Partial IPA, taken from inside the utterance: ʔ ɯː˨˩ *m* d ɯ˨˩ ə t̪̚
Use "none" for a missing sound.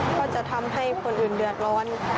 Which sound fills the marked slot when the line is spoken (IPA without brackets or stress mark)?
n